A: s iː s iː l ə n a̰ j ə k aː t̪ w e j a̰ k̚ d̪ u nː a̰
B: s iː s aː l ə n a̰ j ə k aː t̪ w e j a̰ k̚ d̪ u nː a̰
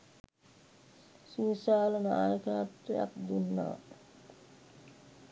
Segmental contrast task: B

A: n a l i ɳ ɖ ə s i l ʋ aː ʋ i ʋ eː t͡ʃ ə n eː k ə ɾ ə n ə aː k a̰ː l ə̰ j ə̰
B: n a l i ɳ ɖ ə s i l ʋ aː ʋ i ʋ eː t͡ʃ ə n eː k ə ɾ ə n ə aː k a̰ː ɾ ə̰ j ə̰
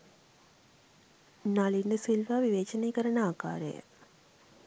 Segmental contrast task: B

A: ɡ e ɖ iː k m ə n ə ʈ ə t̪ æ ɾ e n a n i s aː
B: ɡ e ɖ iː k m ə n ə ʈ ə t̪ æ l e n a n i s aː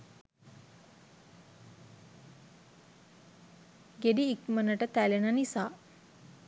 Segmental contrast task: B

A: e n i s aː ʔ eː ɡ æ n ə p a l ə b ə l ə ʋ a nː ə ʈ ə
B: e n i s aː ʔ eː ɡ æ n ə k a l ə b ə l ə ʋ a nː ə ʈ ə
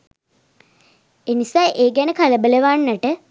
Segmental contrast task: B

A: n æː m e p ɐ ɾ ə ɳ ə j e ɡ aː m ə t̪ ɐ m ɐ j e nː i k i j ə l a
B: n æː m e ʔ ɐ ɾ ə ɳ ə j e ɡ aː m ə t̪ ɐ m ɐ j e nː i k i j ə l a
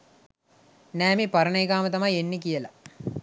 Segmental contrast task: A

